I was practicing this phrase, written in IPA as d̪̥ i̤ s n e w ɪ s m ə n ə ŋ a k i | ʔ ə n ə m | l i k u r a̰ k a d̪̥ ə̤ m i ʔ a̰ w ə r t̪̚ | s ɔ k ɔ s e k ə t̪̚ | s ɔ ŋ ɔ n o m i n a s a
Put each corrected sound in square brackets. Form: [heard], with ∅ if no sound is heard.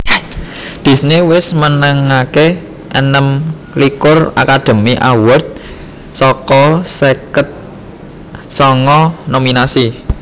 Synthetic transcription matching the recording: d̪̥ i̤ s n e w ɪ s m ə n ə ŋ a k [e] | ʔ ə n ə m | l i k [ʊ] r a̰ k a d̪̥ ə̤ m i ʔ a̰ w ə r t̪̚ | s ɔ k ɔ s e k ə t̪̚ | s ɔ ŋ ɔ n o m i n a s [i]